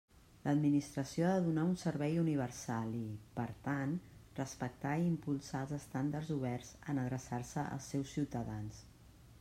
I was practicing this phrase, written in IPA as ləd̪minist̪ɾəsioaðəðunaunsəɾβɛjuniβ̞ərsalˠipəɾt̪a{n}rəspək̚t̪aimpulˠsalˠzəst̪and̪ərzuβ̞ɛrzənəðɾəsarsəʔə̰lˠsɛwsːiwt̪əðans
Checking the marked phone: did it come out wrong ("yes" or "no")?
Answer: no